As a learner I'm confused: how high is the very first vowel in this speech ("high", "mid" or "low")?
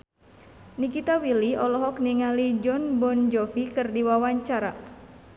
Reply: high